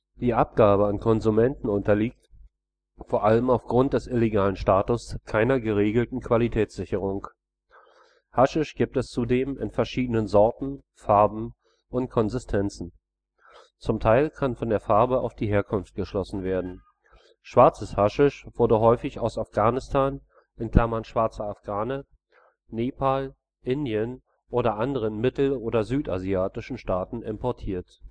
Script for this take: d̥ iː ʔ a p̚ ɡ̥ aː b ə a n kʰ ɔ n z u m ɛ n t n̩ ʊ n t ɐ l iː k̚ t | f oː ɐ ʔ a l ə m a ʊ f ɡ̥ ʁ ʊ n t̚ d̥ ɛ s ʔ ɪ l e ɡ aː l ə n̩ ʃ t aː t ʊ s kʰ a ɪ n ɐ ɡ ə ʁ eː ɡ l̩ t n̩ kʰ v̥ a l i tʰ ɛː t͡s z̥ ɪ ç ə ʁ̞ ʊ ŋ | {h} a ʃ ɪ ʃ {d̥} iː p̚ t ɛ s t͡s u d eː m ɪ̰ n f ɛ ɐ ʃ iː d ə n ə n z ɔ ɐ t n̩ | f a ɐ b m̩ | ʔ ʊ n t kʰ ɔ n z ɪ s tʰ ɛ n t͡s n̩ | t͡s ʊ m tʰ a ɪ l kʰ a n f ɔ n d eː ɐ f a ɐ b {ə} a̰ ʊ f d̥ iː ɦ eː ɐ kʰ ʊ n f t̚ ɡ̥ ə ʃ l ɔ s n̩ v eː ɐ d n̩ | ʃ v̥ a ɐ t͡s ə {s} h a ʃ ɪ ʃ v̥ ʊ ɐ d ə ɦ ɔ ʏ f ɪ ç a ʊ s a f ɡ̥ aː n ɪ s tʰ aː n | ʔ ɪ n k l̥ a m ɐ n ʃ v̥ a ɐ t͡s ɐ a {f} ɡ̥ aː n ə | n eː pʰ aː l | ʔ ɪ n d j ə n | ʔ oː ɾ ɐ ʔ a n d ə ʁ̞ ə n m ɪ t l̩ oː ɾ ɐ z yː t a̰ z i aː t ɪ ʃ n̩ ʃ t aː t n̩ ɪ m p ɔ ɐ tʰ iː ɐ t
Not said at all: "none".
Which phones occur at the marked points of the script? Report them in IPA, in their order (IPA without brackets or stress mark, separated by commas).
h, ɡ̥, ə, s, f